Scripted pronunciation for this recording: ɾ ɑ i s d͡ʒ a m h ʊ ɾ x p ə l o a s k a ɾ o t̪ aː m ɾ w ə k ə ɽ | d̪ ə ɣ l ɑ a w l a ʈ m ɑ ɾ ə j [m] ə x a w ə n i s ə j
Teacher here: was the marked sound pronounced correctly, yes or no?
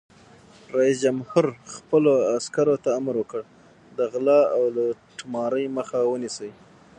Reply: yes